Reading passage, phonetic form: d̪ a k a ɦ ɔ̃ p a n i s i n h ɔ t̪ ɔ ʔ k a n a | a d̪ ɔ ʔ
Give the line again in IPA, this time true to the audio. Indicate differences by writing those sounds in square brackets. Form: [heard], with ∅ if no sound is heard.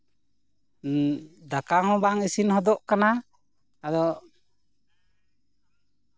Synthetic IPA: d̪ a k a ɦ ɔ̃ [b] a [ŋ] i s i n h ɔ [d̪] ɔ ʔ k a n a | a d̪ ɔ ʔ